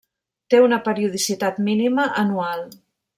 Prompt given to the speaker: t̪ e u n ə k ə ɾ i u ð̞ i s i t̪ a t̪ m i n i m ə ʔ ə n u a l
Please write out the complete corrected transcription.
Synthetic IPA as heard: t̪ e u n ə p ə ɾ i u ð̞ i s i t̪ a t̪ m i n i m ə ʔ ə n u a l